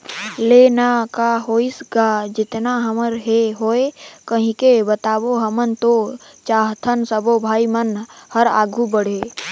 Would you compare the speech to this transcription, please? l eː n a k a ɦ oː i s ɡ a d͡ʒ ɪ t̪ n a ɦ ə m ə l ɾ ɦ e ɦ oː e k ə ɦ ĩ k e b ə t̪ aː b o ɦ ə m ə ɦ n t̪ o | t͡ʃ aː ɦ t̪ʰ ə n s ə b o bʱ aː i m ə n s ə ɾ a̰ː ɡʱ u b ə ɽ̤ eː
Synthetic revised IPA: l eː n a k a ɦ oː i s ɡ a d͡ʒ ɪ t̪ n a ɦ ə m ə ɾ ɦ e ɦ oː e k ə ɦ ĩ k e b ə t̪ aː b o ɦ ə m ə n t̪ o | t͡ʃ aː ɦ t̪ʰ ə n s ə b o bʱ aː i m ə n h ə ɾ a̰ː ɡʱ u b ə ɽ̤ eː